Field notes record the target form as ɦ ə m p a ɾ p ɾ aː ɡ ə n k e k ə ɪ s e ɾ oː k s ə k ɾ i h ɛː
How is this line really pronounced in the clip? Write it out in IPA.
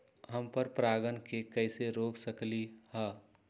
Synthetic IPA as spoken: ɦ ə m p ə ɾ p ɾ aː ɡ ə n k e k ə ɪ s e ɾ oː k s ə k l i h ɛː